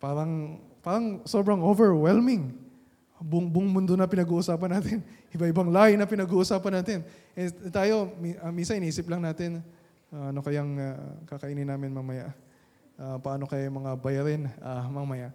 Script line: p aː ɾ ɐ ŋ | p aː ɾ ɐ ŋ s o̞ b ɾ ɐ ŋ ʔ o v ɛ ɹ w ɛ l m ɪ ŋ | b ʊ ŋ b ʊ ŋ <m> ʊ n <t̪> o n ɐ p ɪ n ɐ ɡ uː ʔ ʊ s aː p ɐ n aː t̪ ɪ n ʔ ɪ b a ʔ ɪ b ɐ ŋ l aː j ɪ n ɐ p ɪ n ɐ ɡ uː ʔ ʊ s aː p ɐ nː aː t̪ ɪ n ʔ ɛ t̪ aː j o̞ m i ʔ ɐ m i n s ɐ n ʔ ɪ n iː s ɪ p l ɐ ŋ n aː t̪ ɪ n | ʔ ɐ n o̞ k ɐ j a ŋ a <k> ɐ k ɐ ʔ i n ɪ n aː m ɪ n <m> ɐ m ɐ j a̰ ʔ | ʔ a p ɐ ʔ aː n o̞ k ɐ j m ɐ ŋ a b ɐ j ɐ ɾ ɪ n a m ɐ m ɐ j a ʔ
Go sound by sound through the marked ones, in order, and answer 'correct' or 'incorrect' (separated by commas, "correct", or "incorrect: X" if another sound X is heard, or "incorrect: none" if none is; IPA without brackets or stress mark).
correct, incorrect: d̪, correct, correct